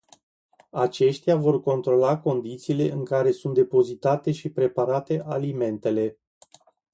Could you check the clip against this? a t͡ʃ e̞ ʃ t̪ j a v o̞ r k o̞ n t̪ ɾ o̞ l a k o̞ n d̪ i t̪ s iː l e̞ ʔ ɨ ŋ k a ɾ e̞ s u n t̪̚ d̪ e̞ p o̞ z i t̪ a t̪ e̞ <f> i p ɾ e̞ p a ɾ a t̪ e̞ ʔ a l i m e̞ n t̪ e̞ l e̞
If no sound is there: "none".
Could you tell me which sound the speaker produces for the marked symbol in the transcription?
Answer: ʃ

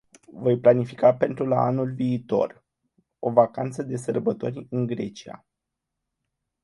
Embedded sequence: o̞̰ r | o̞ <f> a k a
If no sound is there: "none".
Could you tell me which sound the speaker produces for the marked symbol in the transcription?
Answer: v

